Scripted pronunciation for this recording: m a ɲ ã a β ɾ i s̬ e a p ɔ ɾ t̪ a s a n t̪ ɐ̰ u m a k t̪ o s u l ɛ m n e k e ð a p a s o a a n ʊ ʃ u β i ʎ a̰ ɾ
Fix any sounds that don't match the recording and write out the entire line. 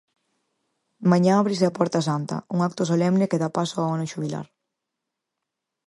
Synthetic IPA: m a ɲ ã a β ɾ i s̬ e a p ɔ ɾ t̪ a s a n t̪ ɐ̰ u ŋ a k t̪ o s o l ɛ m n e k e ð a p a s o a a n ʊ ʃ u β i l a̰ ɾ